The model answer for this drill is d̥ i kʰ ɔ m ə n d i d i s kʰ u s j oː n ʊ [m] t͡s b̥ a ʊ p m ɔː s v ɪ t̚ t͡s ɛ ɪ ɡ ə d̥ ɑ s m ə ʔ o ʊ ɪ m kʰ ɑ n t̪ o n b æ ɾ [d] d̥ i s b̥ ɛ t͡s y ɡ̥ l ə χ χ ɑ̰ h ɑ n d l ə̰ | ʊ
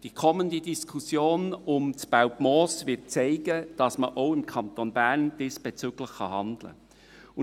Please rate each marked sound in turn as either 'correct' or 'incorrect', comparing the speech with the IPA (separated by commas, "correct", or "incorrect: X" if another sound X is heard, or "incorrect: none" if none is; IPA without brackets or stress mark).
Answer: correct, incorrect: n